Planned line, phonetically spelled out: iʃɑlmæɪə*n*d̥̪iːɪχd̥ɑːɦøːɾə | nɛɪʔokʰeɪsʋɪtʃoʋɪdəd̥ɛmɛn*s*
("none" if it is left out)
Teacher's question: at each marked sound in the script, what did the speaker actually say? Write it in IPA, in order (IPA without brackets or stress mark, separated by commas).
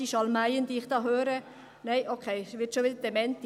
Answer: n, t